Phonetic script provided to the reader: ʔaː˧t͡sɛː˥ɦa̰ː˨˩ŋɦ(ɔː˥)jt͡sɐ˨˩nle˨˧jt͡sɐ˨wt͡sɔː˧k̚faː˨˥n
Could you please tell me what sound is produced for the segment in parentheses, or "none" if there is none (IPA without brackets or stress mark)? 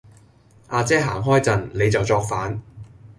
ɔː˥